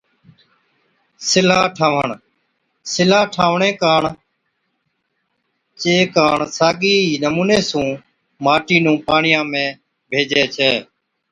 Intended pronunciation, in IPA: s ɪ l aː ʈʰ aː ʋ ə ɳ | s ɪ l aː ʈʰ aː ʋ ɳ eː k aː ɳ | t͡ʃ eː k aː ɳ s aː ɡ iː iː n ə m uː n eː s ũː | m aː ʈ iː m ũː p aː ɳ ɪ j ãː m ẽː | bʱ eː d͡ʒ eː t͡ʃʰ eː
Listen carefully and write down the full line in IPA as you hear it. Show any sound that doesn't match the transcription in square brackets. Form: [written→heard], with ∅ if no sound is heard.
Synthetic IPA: s ɪ l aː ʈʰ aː ʋ ə ɳ | s ɪ l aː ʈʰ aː ʋ ɳ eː k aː ɳ | t͡ʃ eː k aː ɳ s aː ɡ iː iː n ə m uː n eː s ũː | m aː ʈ iː [m→n] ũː p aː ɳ ɪ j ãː m ẽː | bʱ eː d͡ʒ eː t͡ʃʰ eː

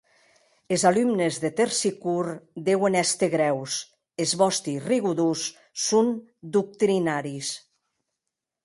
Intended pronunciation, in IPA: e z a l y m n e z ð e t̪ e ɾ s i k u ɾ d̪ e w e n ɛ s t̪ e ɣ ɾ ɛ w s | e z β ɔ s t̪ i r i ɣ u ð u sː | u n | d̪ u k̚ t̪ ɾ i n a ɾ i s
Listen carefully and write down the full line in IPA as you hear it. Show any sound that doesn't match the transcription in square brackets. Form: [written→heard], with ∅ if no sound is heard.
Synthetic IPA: e z a l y m n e z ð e t̪ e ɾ s i k u ɾ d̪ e w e n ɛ s t̪ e ɣ ɾ ɛ w s | e z β ɔ s t̪ i r i ɣ u ð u sː | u n | d̪ u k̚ t̪ ɾ i n a ɾ i s

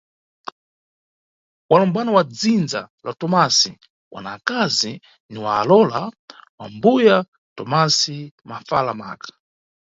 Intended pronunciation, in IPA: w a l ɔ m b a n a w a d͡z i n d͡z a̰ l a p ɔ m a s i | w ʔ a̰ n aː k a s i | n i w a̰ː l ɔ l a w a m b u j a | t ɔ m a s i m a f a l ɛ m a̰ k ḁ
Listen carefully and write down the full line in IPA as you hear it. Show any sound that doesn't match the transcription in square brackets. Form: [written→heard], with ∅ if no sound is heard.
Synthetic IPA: w a l ɔ m b a n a w a d͡z i n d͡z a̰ l a [p→t] ɔ m a s i | w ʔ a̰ n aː k a [s→z] i | n i w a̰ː l ɔ l a w a m b u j a | t ɔ m a s i m a f a l [ɛ→a] m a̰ k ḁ

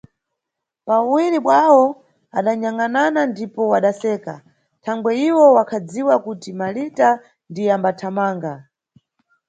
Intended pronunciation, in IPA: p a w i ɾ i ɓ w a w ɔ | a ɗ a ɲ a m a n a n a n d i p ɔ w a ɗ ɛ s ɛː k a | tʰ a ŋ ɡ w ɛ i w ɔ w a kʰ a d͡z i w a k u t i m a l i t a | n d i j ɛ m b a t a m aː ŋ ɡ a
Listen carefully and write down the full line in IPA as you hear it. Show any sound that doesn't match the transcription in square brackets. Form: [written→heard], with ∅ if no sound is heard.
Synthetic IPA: p a w i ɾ i ɓ w a w ɔ | a ɗ a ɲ a [m→ŋ] a n a n a n d i p ɔ w a ɗ [ɛ→a] s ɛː k a | tʰ a ŋ ɡ w ɛ i w ɔ w a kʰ a d͡z i w a k u t i m a l i t a | n d i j [ɛ→a] m b a [t→tʰ] a m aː ŋ ɡ a

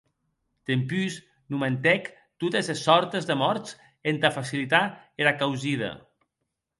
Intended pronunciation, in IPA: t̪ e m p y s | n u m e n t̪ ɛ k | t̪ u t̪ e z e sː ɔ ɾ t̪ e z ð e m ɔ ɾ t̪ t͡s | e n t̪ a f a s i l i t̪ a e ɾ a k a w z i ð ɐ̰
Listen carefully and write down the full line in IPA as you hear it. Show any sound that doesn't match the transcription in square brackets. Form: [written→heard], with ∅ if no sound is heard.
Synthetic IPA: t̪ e m p y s | n u m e n t̪ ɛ k | t̪ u t̪ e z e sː ɔ ɾ t̪ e z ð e m ɔ ɾ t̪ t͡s | e n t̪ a f a s i l i t̪ a e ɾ a k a w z i ð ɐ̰

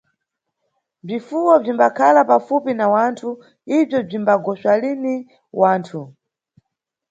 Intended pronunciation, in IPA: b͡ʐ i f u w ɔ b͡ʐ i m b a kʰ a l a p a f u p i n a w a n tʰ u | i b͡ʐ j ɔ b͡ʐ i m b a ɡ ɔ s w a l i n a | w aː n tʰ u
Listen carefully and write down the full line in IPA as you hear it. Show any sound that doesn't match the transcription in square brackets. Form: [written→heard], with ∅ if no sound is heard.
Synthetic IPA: b͡ʐ i f u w ɔ b͡ʐ i m b a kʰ a l a p a f u p i n a w a n tʰ u | i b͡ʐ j ɔ b͡ʐ i m b a ɡ ɔ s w a l i n [a→i] | w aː n tʰ u

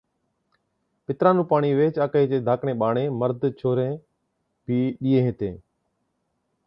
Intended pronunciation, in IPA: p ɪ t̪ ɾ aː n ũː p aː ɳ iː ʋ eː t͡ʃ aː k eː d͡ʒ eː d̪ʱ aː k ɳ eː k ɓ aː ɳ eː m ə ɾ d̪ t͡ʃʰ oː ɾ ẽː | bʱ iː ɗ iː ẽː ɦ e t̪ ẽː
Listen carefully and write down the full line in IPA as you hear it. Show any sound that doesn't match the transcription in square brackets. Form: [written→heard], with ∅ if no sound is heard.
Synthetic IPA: p ɪ t̪ ɾ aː n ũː p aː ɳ iː ʋ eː t͡ʃ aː k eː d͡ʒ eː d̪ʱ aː k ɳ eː [k→∅] ɓ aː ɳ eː m ə ɾ d̪ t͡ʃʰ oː ɾ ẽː | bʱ iː ɗ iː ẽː ɦ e t̪ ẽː

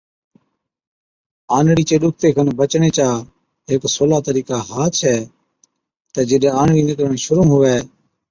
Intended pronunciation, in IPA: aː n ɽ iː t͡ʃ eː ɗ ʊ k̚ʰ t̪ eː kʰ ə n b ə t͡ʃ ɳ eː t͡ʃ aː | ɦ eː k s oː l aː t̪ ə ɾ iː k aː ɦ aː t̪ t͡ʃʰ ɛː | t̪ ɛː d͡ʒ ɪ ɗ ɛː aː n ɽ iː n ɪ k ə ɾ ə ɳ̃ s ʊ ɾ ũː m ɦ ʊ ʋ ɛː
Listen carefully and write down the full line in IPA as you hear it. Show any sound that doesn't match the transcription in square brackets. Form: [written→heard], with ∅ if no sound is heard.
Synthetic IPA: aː n ɽ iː t͡ʃ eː ɗ ʊ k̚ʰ t̪ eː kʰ ə n b ə t͡ʃ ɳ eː t͡ʃ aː | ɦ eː k s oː l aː t̪ ə ɾ iː k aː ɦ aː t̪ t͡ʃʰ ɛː | t̪ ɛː d͡ʒ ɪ ɗ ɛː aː n ɽ iː n ɪ k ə ɾ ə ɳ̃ [s→ʃ] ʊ ɾ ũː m ɦ ʊ ʋ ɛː

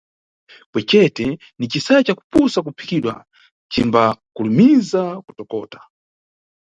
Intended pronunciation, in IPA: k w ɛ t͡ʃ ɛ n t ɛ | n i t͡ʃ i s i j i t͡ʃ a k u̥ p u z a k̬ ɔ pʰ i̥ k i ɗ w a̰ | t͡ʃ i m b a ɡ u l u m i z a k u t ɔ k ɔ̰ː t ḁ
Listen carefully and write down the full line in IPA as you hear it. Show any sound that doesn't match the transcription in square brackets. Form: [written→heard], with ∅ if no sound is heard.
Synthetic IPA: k w ɛ t͡ʃ ɛ [n→∅] t ɛ | n i t͡ʃ i s [i→a] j [i→a] t͡ʃ a k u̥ p u [z→s] a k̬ [ɔ→u] pʰ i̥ k i ɗ w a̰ | t͡ʃ i m b a [ɡ→k] u l u m i z a k u t ɔ k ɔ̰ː t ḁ

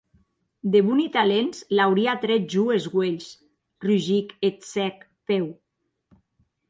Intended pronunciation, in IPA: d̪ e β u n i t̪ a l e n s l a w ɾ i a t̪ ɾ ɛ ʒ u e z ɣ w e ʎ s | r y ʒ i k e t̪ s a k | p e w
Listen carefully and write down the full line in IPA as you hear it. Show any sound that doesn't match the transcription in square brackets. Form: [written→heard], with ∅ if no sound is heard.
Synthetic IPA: d̪ e β u n i t̪ a l e n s l a w ɾ i a t̪ ɾ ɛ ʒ u e z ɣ w e ʎ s | r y ʒ i k e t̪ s [a→ɛ] k | p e w

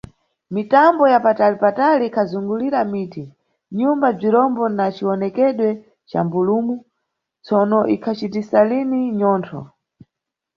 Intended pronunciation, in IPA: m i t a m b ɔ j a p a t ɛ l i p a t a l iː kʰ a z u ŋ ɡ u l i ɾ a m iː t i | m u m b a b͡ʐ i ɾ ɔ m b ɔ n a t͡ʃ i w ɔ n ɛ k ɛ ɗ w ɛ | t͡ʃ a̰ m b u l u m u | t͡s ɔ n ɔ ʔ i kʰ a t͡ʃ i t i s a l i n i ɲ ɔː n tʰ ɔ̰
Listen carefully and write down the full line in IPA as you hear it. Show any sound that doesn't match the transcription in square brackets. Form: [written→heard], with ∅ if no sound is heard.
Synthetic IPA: m i t a m b ɔ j a p a t [ɛ→a] l i p a t a l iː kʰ a z u ŋ ɡ u l i ɾ a m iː t i | [m→ɲ] u m b a b͡ʐ i ɾ ɔ m b ɔ n a t͡ʃ i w ɔ n ɛ k ɛ ɗ w ɛ | t͡ʃ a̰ m b u l u m u | t͡s ɔ n ɔ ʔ i kʰ a t͡ʃ i t i s a l i n i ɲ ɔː n tʰ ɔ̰

